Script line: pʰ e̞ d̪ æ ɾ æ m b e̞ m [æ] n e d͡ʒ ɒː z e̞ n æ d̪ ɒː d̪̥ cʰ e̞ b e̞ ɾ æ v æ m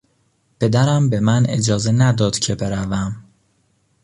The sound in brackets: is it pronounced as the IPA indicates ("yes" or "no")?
yes